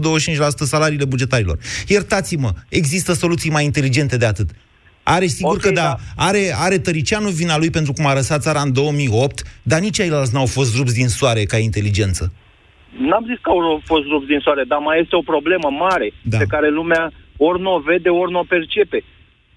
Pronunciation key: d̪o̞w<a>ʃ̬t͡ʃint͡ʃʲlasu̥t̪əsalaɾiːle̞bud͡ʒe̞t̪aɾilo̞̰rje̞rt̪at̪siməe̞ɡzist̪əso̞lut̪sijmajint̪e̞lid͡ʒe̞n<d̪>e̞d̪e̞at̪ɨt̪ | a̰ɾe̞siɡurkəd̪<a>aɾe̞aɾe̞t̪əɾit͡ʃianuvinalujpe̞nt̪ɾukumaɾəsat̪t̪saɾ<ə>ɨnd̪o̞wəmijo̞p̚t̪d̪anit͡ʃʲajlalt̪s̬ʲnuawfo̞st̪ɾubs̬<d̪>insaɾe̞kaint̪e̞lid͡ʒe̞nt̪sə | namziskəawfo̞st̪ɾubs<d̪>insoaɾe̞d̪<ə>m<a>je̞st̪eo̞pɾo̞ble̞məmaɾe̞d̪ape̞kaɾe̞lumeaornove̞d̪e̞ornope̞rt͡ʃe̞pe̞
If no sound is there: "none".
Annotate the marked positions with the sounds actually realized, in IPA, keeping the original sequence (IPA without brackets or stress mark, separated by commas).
ə, t̪, a, a, d̪, d̪, a, a